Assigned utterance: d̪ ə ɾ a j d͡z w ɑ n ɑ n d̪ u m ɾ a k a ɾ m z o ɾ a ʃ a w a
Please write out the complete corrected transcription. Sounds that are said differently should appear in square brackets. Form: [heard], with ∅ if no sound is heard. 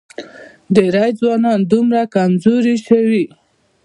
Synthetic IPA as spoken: d̪ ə ɾ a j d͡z w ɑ n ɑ n d̪ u m ɾ a k a [∅] m z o ɾ [i] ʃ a w [i]